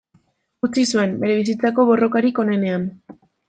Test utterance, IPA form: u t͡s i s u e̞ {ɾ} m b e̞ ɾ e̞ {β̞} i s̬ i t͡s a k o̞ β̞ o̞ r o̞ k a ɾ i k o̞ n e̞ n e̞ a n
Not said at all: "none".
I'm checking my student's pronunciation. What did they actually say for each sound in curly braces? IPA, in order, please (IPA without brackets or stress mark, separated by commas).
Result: none, β̞